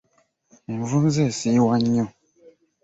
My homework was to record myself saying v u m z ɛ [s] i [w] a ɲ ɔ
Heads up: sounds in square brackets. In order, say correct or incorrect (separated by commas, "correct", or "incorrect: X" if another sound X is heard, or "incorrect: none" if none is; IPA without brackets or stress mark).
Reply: correct, correct